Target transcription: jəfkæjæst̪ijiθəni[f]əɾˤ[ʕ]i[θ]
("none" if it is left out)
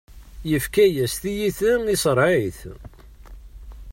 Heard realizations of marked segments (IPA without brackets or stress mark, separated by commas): s, ʕ, θ